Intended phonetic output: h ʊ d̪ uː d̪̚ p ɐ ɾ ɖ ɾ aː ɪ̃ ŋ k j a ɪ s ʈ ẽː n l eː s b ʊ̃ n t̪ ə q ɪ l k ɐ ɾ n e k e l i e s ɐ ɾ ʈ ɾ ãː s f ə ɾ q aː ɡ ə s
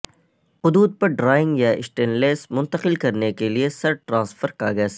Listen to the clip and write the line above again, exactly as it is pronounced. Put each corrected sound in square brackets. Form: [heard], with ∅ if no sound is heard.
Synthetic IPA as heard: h ʊ d̪ uː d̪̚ p ɐ ɾ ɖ ɾ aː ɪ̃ ŋ [ɡ] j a ɪ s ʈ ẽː n l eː s [m] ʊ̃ n t̪ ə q ɪ l k ɐ ɾ n e k e l i e s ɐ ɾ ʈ ɾ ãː s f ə ɾ [k] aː ɡ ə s